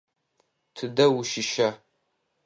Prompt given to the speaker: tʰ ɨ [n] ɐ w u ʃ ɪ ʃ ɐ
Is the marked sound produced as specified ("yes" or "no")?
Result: no